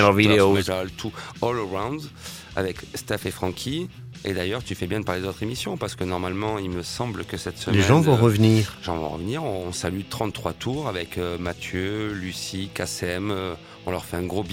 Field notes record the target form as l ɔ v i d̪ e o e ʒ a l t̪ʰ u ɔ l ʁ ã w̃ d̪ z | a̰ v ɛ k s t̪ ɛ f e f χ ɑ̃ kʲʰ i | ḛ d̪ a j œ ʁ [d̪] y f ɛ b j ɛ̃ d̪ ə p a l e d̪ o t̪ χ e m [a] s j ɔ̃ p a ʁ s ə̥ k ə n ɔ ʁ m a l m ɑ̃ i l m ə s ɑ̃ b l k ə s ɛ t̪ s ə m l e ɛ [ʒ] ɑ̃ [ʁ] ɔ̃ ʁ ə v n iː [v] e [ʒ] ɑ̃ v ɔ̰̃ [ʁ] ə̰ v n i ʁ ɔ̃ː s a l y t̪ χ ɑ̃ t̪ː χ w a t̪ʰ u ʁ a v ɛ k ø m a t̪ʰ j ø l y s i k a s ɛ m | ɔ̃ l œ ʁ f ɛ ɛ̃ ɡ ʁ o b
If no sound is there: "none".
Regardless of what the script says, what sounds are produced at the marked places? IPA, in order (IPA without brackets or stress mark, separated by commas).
t̪, i, ʒ, v, ʁ, ʒ, ʁ